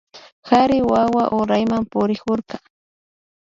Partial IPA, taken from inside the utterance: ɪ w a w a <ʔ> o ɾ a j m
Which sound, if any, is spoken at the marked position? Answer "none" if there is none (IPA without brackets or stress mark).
ʔ